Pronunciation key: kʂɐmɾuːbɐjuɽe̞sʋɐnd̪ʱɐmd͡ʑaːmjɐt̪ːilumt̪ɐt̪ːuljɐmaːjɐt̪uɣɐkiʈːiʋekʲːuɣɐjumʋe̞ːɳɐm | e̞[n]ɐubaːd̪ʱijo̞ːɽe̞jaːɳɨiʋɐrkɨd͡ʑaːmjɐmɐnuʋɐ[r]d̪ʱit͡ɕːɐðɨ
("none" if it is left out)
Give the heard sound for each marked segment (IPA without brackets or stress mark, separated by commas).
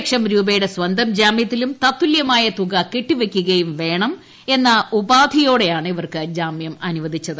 nː, none